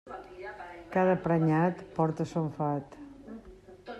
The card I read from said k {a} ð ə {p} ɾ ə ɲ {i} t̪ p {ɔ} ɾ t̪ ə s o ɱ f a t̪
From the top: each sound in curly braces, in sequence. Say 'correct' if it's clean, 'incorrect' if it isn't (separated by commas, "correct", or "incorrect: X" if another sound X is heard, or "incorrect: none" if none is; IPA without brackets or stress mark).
correct, correct, incorrect: a, correct